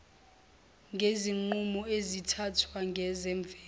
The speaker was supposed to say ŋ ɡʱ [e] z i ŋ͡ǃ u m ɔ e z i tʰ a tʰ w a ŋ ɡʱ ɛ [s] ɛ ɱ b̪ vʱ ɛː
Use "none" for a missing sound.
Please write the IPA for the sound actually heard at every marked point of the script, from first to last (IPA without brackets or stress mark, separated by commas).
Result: e, z